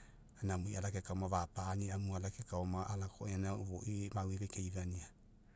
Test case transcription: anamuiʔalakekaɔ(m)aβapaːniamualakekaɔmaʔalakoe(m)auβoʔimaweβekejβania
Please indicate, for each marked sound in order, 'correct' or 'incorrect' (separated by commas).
correct, incorrect